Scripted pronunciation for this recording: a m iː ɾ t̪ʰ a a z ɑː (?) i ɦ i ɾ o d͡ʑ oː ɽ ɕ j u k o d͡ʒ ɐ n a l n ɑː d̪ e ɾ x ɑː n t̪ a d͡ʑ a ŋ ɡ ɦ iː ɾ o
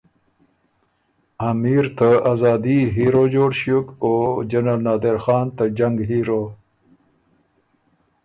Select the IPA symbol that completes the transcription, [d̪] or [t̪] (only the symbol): d̪